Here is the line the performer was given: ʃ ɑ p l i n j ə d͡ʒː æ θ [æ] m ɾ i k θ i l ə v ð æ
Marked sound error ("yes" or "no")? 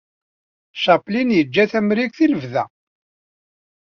no